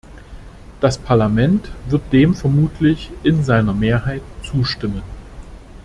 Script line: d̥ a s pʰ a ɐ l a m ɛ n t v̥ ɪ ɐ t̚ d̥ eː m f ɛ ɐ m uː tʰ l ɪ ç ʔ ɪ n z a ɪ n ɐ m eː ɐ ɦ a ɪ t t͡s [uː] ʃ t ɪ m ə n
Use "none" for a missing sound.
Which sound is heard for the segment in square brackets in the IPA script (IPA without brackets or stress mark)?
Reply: uː